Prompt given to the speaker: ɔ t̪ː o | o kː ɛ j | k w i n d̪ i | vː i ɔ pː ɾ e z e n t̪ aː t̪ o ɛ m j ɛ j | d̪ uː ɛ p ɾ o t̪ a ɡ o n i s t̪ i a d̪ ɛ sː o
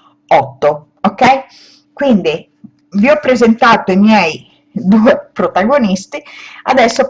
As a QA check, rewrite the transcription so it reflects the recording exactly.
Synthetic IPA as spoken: ɔ t̪ː o | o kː ɛ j | k w i n d̪ i | v i ɔ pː ɾ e z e n t̪ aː t̪ o i m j ɛ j | d̪ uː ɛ p ɾ o t̪ a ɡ o n i s t̪ i a d̪ ɛ sː o

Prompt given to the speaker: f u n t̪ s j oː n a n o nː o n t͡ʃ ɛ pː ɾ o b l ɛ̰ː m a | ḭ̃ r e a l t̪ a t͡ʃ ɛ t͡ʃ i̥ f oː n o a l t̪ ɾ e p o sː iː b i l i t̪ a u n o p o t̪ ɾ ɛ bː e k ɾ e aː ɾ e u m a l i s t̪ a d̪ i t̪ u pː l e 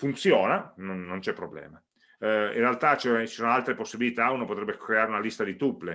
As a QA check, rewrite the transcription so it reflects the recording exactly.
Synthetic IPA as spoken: f u n t̪ s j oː n a n o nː o n t͡ʃ ɛ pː ɾ o b l ɛ̰ː m a | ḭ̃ r e a l t̪ a t͡ʃ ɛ t͡ʃ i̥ s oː n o a l t̪ ɾ e p o sː i b i l i t̪ a u n o p o t̪ ɾ ɛ bː e k ɾ e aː ɾ e u n a l i s t̪ a d̪ i t̪ u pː l e

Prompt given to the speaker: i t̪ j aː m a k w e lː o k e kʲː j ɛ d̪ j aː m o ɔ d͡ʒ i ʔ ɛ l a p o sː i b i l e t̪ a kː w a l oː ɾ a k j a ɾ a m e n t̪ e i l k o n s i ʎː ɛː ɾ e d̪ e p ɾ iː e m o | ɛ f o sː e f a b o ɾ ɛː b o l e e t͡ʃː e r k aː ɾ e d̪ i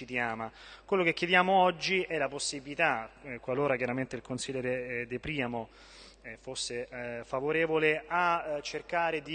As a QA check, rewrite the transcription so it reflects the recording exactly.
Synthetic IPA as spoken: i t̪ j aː m a k w e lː o k e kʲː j e d̪ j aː m o ɔ d͡ʒː i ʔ ɛ l a p o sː i b i l i t̪ a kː w a l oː ɾ a k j a ɾ a m e n t̪ e i l k o n s i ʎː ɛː ɾ e d̪ e p ɾ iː a m o | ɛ f o sː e f a v o ɾ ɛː v o l e a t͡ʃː e r k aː ɾ e d̪ i

